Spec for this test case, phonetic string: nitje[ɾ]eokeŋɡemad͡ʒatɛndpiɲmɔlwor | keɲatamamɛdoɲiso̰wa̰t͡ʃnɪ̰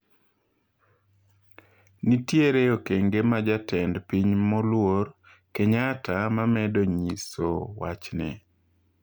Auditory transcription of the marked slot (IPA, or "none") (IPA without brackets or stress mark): ɾ